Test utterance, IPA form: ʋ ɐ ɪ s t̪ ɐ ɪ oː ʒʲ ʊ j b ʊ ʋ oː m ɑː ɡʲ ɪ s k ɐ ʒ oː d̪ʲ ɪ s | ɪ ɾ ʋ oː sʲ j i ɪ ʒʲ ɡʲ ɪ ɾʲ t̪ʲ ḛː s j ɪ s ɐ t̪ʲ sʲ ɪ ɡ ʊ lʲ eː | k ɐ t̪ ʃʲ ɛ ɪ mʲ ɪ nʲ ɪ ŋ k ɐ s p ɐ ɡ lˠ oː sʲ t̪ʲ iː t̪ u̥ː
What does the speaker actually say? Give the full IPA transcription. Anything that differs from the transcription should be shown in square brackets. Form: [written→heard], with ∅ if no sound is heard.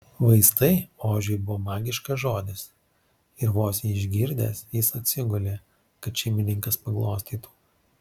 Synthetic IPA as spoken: ʋ ɐ ɪ s t̪ ɐ ɪ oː ʒʲ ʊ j b ʊ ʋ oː m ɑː ɡʲ ɪ [s→ʃ] k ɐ ʒ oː d̪ʲ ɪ s | ɪ ɾ ʋ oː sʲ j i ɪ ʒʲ ɡʲ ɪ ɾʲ [t̪ʲ→d̪ʲ] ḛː s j ɪ s ɐ t̪ʲ sʲ ɪ ɡ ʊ lʲ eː | k ɐ t̪ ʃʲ ɛ ɪ mʲ ɪ nʲ ɪ ŋ k ɐ s p ɐ ɡ lˠ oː sʲ t̪ʲ iː t̪ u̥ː